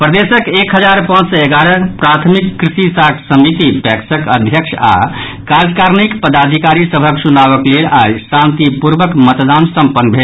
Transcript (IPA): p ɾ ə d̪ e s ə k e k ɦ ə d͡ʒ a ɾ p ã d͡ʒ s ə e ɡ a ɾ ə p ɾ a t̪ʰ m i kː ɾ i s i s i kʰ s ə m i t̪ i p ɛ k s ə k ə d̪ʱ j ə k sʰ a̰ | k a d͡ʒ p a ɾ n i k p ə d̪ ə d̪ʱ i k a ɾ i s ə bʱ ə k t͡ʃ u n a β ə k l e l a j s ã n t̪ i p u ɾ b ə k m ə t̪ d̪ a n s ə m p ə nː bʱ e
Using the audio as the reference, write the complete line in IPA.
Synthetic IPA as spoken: p ɾ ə d̪ e s ə k e k ɦ ə d͡ʒ a ɾ p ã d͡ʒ s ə e ɡ a ɾ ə p ɾ a t̪ʰ m i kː ɾ i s i s a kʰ s ə m i t̪ i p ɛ k s ə k ə d̪ʱ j ə k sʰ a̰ | k a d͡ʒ k a ɾ n i k p ə d̪ a d̪ʱ i k a ɾ i s ə bʱ ə k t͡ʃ u n a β ə k l e l a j s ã n t̪ i p u ɾ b ə k m ə t̪ d̪ a n s ə m p ə nː bʱ e